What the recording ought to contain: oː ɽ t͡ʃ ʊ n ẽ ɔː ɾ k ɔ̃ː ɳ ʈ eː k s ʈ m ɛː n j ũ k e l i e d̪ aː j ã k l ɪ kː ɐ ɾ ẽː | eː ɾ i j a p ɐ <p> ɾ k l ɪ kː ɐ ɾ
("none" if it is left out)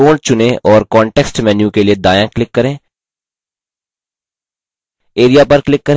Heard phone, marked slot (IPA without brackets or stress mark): none